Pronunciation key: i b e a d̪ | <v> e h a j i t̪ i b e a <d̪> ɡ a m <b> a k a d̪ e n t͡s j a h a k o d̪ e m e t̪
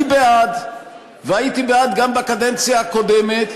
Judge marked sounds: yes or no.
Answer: yes, yes, yes

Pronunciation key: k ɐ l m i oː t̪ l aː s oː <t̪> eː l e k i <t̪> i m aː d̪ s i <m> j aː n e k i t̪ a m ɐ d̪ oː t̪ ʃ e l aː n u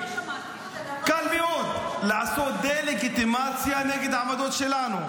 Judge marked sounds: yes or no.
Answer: no, yes, no

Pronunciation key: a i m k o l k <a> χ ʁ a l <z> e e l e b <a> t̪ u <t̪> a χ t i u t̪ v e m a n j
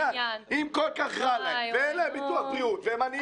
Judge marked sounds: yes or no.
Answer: yes, no, no, no

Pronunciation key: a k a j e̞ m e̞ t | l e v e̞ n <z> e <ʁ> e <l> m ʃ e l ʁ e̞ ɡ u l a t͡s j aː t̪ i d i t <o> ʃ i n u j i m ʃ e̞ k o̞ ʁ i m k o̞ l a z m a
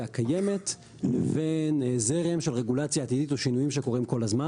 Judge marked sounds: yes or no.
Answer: yes, yes, no, yes

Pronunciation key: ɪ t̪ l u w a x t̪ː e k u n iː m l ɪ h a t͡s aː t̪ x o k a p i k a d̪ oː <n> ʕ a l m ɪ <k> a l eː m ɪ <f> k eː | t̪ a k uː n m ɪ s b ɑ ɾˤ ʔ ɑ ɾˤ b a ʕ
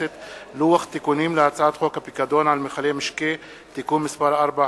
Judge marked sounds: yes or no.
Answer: yes, no, no

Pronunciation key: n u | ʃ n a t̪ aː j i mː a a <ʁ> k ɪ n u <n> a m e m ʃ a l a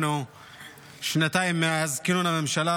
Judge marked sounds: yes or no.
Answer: no, yes

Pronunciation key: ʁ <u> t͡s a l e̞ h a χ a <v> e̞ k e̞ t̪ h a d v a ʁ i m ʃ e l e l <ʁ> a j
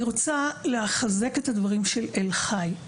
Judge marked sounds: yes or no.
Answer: no, no, no

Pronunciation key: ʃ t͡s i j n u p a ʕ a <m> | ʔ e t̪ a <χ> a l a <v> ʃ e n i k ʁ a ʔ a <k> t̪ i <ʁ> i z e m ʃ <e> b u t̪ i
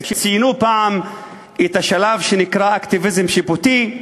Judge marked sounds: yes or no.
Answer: yes, no, yes, yes, no, no

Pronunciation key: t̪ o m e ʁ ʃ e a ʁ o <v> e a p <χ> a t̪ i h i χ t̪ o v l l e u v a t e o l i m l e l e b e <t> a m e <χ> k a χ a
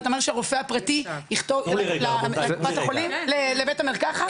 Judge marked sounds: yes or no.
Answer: no, no, yes, no

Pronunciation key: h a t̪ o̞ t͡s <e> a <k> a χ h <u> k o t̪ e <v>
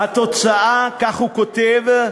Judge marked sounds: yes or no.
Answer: no, yes, yes, yes

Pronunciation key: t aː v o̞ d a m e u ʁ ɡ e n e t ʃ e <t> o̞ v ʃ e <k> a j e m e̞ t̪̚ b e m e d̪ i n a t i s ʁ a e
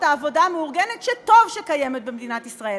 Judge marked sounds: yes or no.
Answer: yes, yes

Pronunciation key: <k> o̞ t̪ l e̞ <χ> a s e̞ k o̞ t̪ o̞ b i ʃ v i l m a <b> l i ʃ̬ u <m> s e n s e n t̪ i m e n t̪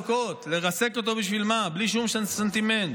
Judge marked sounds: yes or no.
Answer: yes, no, yes, yes

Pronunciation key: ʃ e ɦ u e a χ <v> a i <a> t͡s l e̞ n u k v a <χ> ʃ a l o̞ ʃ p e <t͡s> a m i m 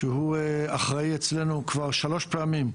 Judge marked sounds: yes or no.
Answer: no, no, no, no

